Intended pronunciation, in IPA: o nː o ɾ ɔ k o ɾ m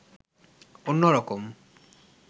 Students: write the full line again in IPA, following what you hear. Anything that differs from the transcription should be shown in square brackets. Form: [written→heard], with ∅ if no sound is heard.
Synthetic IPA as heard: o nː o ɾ ɔ k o [ɾ→∅] m